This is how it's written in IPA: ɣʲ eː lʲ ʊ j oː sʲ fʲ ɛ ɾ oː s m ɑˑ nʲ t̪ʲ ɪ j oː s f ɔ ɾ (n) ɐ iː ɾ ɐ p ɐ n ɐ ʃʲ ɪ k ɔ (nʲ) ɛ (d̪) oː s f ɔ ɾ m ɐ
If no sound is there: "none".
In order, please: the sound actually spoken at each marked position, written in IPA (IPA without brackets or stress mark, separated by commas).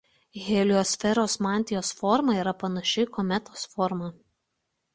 m, mʲ, t̪